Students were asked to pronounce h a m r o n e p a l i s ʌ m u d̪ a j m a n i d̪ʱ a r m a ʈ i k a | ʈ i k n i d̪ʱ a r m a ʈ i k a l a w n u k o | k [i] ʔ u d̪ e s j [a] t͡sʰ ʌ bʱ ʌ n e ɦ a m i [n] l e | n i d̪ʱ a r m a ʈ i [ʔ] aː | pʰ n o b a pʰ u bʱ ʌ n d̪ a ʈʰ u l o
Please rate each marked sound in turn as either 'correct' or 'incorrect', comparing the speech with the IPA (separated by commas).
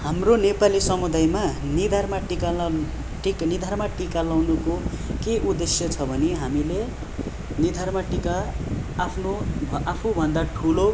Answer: incorrect, incorrect, incorrect, incorrect